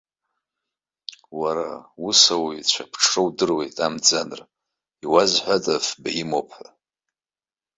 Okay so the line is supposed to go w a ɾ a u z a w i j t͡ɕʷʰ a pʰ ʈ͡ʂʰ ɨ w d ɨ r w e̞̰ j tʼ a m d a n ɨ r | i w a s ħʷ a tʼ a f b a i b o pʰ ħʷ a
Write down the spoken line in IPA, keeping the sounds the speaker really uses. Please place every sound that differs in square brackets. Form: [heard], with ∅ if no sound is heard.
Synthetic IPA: w a ɾ a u [s] a w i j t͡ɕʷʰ a pʰ ʈ͡ʂʰ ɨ w d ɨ r w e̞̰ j tʼ a m [d͡z] a n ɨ r | i w a [z] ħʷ a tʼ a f b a i [m] o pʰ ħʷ a

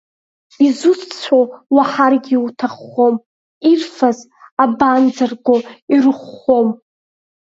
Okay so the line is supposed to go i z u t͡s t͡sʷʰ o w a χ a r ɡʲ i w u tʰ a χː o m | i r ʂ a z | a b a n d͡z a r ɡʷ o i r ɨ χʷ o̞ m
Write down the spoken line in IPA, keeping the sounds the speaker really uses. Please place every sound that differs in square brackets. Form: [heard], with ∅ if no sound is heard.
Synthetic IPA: i z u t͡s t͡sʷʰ o w a [ħ] a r ɡʲ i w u tʰ a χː o m | i r [f] a z | a b a n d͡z a r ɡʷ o i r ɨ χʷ o̞ m

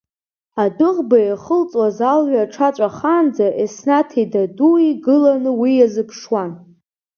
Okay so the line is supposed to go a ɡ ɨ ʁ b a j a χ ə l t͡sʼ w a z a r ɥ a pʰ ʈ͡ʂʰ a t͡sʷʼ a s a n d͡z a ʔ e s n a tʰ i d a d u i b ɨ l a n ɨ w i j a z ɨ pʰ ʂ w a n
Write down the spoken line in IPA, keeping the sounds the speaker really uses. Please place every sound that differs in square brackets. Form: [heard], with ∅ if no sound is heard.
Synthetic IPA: a [d] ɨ ʁ b a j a χ ə l t͡sʼ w a z a [l] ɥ a [∅] ʈ͡ʂʰ a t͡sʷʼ a [χ] a n d͡z a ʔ e s n a tʰ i d a d u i [ɡ] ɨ l a n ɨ w i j a z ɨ pʰ ʂ w a n

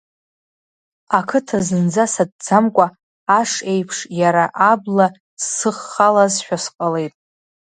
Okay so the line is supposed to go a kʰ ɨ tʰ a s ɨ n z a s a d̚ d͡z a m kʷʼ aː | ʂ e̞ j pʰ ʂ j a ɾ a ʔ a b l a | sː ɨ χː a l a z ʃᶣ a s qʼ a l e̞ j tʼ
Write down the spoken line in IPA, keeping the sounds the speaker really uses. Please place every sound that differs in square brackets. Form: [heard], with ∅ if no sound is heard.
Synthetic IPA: a kʰ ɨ tʰ a [z] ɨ n [d͡z] a s a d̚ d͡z a m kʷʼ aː | ʂ e̞ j pʰ ʂ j a ɾ a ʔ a b l a | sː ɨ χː a l a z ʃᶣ a s qʼ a l e̞ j tʼ

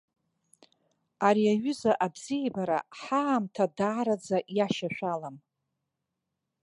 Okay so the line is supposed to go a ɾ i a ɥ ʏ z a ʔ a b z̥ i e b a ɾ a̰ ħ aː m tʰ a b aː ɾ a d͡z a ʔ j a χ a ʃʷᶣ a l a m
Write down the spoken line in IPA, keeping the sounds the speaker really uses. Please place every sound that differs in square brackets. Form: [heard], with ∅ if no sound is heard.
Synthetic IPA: a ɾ i a ɥ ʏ z a ʔ a b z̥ i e b a ɾ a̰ ħ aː m tʰ a [d] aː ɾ a d͡z a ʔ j a [ʃ] a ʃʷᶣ a l a m

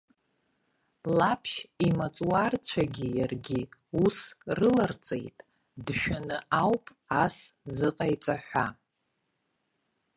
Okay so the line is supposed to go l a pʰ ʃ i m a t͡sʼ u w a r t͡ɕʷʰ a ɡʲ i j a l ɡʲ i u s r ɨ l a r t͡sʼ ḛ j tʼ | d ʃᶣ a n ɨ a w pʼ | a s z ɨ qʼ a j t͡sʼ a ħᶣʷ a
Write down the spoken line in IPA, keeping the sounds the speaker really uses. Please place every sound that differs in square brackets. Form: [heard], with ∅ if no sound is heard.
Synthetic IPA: l a pʰ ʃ i m a t͡sʼ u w a r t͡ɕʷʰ a ɡʲ i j a [r] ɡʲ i u s r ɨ l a r t͡sʼ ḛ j tʼ | d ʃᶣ a n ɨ a w pʼ | a s z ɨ qʼ a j t͡sʼ a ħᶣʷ a

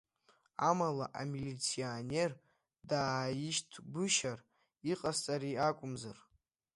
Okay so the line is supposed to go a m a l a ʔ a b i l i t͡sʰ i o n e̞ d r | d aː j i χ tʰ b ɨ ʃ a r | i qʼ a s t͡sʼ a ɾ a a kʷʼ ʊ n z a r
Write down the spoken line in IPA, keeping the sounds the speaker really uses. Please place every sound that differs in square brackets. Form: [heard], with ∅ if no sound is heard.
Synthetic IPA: a m a l a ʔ a [m] i l i t͡sʰ i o n e̞ [∅] r | d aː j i [ʃ] tʰ b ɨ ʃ a r | i qʼ a s t͡sʼ a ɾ [i] a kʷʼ ʊ [m] z a r

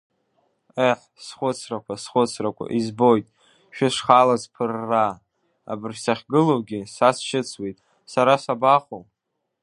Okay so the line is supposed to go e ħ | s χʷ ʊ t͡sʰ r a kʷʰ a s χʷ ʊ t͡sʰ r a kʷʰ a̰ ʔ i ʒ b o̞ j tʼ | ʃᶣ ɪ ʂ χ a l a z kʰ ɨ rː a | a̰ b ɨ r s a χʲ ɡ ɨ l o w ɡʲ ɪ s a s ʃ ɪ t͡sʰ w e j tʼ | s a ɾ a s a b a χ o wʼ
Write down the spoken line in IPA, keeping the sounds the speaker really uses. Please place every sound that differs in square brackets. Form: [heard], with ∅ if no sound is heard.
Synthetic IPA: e ħ | s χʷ ʊ t͡sʰ r a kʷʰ a s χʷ ʊ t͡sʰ r a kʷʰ a̰ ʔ i [z] b o̞ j tʼ | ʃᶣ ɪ ʂ χ a l a z [pʰ] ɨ rː a | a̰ b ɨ r s a χʲ ɡ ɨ l o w ɡʲ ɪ s a s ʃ ɪ t͡sʰ w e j tʼ | s a ɾ a s a b a χ o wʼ

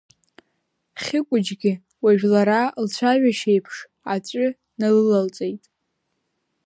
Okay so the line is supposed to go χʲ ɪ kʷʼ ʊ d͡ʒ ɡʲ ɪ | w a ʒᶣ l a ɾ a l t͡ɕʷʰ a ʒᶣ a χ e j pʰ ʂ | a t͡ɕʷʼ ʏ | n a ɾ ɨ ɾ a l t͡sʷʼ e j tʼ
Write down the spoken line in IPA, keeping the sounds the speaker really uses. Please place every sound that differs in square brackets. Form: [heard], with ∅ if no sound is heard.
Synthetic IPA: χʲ ɪ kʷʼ ʊ d͡ʒ ɡʲ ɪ | w a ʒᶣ l a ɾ a l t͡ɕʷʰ a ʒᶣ a [ʃ] e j pʰ ʂ | a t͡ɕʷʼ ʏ | n a [l] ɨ [l] a l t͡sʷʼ e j tʼ

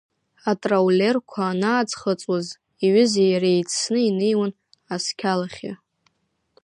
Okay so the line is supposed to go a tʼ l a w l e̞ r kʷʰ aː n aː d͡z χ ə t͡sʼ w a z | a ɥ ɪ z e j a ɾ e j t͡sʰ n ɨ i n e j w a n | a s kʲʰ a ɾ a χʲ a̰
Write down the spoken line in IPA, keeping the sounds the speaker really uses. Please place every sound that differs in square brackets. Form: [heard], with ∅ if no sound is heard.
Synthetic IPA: a tʼ [r] a w l e̞ r kʷʰ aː n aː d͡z χ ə t͡sʼ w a z | [i] ɥ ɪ z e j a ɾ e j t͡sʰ n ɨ i n e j w a n | a s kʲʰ a [l] a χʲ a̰

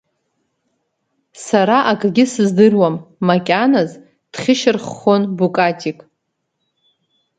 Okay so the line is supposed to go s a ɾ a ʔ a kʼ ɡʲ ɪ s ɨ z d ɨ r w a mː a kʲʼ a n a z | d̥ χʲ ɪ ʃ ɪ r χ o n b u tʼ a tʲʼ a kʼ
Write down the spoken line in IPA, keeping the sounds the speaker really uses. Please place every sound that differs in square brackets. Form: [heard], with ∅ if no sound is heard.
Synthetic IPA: s a ɾ a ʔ a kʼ ɡʲ ɪ s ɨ z d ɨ r w a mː a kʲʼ a n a z | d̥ χʲ ɪ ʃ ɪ r χ o n b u [kʼ] a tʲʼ [i] kʼ

